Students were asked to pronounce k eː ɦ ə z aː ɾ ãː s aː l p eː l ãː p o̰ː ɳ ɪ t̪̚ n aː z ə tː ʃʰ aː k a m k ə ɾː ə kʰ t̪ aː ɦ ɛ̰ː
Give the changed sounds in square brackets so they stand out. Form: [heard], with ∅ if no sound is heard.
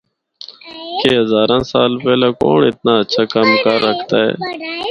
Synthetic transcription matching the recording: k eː ɦ ə z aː ɾ ãː s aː l p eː l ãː [k] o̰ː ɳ ɪ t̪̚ n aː [∅] ə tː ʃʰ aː k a m k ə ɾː ə kʰ t̪ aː ɦ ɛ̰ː